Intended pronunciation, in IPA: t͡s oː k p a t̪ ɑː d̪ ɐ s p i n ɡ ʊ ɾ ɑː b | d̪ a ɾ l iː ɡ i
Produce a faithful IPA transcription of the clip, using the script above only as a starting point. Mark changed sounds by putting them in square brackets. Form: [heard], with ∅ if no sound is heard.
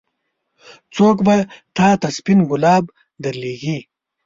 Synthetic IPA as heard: t͡s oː k [b] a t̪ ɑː [t̪] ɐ s p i n ɡ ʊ [l] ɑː b | d̪ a ɾ l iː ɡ i